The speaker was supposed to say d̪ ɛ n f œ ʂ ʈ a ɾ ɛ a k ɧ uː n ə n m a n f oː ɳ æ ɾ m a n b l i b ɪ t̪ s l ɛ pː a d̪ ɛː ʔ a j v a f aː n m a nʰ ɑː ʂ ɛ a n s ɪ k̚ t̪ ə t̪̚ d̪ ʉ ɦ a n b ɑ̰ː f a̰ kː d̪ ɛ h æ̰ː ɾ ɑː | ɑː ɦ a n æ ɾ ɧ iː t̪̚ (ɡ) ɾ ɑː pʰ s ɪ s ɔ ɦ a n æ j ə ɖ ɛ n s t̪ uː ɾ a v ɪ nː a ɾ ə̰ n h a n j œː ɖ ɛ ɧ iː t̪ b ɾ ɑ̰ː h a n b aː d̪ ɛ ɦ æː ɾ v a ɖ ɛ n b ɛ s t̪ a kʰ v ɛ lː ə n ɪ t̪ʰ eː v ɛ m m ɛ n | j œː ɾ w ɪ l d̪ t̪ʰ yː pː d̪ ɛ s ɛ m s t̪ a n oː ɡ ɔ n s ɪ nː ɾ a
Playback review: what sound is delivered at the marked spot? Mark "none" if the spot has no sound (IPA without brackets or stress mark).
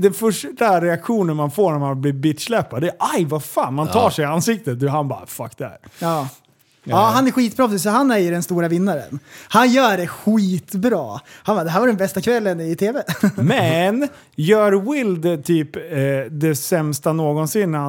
b